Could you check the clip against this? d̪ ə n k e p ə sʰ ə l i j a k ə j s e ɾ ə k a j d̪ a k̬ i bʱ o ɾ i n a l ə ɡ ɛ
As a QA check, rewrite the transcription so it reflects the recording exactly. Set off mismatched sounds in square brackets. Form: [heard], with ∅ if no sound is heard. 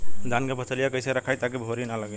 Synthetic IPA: d̪ [a] n k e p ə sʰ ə l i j a k ə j s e ɾ ə [kʰ] a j [t̪] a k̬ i bʱ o ɾ i n a l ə ɡ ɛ